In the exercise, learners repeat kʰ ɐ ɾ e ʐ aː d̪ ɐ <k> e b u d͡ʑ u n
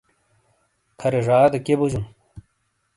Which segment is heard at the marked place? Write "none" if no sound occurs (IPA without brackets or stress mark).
k